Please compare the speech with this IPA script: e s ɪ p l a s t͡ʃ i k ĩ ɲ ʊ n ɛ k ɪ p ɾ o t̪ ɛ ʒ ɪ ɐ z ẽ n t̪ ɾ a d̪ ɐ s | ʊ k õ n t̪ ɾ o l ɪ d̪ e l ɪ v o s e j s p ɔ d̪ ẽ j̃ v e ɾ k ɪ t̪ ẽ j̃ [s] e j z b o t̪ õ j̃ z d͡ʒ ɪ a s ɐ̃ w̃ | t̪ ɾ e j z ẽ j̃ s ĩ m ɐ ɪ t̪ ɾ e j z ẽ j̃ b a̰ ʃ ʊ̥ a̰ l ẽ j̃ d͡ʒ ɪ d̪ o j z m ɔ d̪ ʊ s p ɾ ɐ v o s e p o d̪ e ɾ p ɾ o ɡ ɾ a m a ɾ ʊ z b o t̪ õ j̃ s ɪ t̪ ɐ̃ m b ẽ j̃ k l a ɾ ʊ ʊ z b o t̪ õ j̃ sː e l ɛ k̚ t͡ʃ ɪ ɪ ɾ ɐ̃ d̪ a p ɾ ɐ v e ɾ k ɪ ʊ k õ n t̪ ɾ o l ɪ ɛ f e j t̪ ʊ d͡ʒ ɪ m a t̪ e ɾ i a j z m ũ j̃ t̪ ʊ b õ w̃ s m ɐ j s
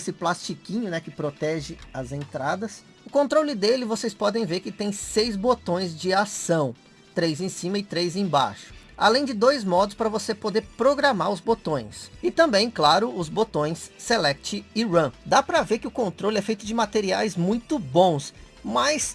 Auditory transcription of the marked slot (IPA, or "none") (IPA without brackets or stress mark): s